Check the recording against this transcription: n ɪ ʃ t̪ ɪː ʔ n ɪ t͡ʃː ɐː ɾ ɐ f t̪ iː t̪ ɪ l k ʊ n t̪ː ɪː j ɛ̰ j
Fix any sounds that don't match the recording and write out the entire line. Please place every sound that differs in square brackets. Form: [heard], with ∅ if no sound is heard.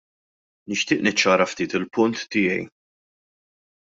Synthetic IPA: n ɪ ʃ t̪ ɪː ʔ n ɪ t͡ʃː ɐː ɾ ɐ f t̪ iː t̪ ɪ l [p] ʊ n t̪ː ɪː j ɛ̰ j